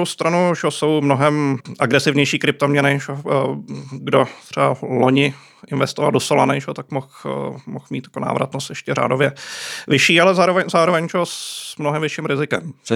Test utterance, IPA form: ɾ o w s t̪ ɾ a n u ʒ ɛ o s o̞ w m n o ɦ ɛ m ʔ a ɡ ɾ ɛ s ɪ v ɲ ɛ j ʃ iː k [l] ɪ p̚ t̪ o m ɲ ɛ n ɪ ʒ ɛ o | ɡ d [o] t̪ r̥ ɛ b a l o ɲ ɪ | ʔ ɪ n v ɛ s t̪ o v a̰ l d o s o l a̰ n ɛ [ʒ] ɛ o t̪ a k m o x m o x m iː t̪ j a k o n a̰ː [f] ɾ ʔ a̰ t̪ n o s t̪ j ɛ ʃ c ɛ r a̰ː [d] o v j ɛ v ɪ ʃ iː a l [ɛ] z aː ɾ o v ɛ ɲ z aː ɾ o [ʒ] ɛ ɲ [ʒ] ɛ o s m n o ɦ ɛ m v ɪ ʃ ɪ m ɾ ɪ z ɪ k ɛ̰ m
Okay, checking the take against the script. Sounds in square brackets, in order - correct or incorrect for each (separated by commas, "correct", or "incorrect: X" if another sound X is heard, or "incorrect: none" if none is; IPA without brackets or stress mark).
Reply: incorrect: ɾ, correct, correct, incorrect: v, correct, correct, incorrect: v, correct